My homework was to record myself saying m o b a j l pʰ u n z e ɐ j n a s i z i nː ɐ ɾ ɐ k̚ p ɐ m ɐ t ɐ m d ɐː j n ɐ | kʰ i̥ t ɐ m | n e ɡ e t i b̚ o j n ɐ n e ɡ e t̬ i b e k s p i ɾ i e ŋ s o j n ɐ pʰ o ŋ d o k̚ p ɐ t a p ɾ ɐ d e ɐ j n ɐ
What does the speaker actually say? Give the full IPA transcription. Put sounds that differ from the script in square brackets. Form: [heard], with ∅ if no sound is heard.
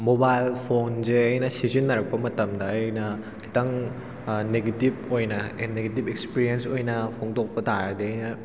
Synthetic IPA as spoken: m o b a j l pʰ [o] n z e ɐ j n [ɐ] s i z i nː ɐ ɾ ɐ k̚ p ɐ m ɐ t ɐ m d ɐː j n ɐ | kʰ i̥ t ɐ [ŋ] | n e ɡ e t i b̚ o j n ɐ n e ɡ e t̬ i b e k s p i ɾ i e [n] s o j n ɐ pʰ o ŋ d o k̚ p ɐ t a [∅] ɾ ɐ d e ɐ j n ɐ

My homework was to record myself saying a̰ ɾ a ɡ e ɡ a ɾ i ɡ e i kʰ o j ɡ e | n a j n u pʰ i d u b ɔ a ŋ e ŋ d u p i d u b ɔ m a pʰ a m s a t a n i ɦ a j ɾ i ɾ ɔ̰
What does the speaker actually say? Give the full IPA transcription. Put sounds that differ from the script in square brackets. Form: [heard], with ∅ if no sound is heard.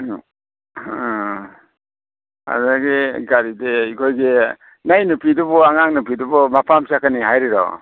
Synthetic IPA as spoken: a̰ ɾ a ɡ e ɡ a ɾ i [d] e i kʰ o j ɡ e | n a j n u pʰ i d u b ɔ a ŋ [a] ŋ [n] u p i d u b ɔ m a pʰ a m s a [k] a n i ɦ a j ɾ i ɾ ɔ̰

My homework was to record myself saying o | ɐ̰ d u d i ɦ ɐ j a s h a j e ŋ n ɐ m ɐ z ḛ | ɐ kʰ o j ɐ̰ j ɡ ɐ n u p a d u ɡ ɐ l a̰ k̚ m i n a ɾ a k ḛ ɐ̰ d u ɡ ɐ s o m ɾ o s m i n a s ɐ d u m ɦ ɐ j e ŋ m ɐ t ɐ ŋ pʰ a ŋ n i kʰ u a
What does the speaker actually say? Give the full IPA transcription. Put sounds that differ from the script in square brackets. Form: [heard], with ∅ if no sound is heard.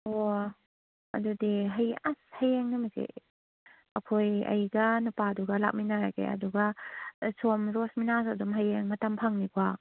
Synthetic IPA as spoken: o | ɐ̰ d u d i ɦ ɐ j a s h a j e ŋ n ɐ m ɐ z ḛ | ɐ kʰ o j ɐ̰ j ɡ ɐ n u p a d u ɡ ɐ l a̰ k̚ m i n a ɾ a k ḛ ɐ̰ d u ɡ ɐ s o m ɾ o s m i n a s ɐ d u m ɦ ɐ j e ŋ m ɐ t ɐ [m] pʰ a ŋ n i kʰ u a

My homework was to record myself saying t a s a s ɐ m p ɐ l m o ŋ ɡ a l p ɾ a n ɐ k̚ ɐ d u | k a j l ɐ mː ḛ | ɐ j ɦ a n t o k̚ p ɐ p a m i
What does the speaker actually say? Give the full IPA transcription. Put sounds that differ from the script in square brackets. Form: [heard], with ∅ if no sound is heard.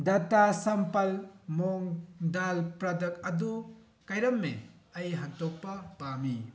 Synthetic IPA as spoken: [d] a [t] a s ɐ m p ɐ l m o ŋ [d] a l p ɾ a [d] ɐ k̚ ɐ d u | k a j [ɾ] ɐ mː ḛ | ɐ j ɦ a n t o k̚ p ɐ p a m i

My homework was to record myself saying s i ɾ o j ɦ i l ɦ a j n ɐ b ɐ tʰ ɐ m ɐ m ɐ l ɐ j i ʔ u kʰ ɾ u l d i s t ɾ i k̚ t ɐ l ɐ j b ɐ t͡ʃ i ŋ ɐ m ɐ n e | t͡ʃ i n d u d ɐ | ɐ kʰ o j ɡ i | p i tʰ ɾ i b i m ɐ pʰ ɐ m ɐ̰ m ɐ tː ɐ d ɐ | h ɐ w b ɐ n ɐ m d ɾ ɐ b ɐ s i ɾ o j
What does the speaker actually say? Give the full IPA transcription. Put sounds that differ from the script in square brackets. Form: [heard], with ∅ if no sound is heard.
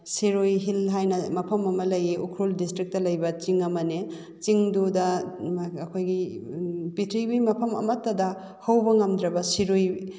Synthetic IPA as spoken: s i ɾ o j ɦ i l ɦ a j n ɐ [m] ɐ [pʰ] ɐ m ɐ m ɐ l ɐ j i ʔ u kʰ ɾ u l d i s t ɾ i k̚ t ɐ l ɐ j b ɐ t͡ʃ i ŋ ɐ m ɐ n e | t͡ʃ i [ŋ] d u d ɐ | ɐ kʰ o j ɡ i | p i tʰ ɾ i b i m ɐ pʰ ɐ m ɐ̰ m ɐ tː ɐ d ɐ | h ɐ w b ɐ [ŋ] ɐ m d ɾ ɐ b ɐ s i ɾ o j

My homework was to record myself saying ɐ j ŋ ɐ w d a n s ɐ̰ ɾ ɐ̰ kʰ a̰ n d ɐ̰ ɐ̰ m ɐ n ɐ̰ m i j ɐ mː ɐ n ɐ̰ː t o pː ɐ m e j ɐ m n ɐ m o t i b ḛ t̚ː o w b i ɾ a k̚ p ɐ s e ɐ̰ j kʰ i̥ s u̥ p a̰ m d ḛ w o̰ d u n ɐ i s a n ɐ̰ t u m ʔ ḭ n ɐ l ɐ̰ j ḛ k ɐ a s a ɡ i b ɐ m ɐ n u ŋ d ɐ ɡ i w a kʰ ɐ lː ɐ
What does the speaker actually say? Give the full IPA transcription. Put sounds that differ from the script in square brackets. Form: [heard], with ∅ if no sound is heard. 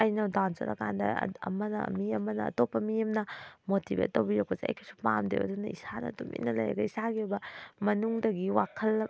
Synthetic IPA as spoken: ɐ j [n] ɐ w d a n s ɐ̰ ɾ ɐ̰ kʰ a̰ n d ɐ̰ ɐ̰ m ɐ n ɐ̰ m i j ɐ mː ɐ n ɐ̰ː t o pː ɐ m [i] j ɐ m n ɐ m o t i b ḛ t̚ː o w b i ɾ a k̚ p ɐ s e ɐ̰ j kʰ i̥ s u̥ p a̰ m d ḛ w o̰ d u n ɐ i s a n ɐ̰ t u m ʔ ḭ n ɐ l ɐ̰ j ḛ [ɡ] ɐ [i] s a ɡ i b ɐ m ɐ n u ŋ d ɐ ɡ i w a kʰ ɐ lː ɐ

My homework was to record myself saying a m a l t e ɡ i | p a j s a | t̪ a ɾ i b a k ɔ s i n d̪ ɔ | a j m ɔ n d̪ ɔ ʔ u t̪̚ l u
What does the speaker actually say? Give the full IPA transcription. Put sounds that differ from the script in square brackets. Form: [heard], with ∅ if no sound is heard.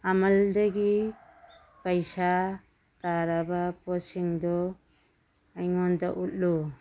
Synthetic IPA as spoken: a m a l [d] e ɡ i | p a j s a | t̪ a ɾ [a] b a [p] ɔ s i [ŋ] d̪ ɔ | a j [ŋ] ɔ n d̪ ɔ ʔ u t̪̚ l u

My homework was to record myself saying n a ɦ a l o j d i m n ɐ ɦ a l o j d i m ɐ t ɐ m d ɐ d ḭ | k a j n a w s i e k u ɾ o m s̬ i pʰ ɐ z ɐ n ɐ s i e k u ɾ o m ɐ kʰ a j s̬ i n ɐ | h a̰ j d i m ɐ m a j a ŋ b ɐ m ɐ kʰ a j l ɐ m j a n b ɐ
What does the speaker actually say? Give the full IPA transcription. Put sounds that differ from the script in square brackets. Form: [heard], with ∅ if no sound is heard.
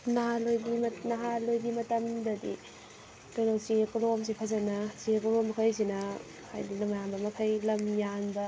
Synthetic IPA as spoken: n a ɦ a l o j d i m n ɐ ɦ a l o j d i m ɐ t ɐ m d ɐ d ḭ | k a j n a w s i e k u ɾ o m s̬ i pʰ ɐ z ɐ n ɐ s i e k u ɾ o m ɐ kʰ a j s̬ i n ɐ | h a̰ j d i [n] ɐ m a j a [m] b ɐ m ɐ kʰ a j l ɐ m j a n b ɐ

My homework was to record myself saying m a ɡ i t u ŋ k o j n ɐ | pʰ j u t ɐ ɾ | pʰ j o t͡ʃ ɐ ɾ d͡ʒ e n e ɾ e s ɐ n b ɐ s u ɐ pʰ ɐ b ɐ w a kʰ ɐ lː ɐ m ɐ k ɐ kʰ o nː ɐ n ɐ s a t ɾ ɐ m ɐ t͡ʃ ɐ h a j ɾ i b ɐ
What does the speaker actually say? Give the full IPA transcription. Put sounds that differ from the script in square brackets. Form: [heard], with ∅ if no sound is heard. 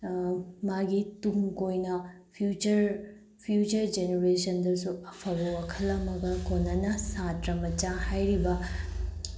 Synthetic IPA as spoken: m a ɡ i t u ŋ k o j n ɐ | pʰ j u [t͡ʃ] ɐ ɾ | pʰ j [u] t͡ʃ ɐ ɾ d͡ʒ e n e ɾ e s ɐ n [d] ɐ s u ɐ pʰ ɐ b ɐ w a kʰ ɐ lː ɐ m ɐ [ɡ] ɐ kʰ o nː ɐ n ɐ s a t ɾ ɐ m ɐ t͡ʃ [a] h a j ɾ i b ɐ

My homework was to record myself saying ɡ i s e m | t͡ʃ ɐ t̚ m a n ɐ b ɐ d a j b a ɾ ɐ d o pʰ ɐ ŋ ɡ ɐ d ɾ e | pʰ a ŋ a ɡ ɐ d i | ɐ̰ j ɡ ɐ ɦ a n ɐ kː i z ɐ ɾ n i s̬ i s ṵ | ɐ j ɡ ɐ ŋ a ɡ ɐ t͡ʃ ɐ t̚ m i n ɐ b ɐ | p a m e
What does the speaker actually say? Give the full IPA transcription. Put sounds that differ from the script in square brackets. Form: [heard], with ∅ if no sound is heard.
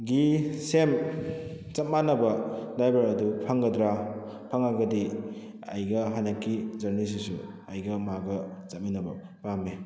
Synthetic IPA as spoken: ɡ i s e m | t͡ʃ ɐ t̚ m a n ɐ b ɐ d a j b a ɾ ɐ d [u] pʰ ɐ ŋ ɡ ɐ d ɾ [a] | pʰ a ŋ a ɡ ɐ d i | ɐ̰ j ɡ ɐ ɦ a n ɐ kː i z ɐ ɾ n i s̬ i s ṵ | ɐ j ɡ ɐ [m] a ɡ ɐ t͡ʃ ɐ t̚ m i n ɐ b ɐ | p a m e

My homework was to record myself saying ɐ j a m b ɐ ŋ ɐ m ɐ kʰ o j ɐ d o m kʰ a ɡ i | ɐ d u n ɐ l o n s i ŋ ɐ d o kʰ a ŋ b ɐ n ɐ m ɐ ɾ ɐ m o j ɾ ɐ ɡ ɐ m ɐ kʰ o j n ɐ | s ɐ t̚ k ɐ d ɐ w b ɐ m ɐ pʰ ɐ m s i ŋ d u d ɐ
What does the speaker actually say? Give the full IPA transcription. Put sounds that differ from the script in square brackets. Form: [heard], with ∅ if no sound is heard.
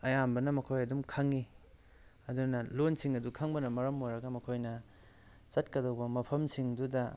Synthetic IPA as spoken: ɐ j a m b ɐ [n] ɐ m ɐ kʰ o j ɐ d [u] m kʰ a [ŋ] i | ɐ d u n ɐ l o n s i ŋ ɐ d [u] kʰ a ŋ b ɐ n ɐ m ɐ ɾ ɐ m o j ɾ ɐ ɡ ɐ m ɐ kʰ o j n ɐ | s ɐ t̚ k ɐ d ɐ w b ɐ m ɐ pʰ ɐ m s i ŋ d u d ɐ

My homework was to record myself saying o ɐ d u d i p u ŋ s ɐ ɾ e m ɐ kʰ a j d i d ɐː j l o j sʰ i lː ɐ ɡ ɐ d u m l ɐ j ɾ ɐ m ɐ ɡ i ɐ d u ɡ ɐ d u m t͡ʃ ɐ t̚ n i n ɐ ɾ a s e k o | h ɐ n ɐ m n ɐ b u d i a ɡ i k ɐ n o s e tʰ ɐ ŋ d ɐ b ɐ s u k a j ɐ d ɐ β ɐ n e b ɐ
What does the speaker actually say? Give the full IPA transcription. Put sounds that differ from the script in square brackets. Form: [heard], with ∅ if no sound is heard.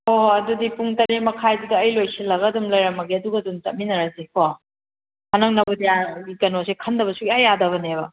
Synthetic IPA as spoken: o ɐ d u d i p u ŋ [t] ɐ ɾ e m ɐ kʰ a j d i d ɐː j l o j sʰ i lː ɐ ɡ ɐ d u m l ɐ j ɾ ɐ m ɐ ɡ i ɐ d u ɡ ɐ d u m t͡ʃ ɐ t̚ [m] i n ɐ ɾ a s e k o | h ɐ n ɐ [ŋ] n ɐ b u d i a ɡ i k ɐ n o s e [kʰ] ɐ [n] d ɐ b ɐ s u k a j [a] d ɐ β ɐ n e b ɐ

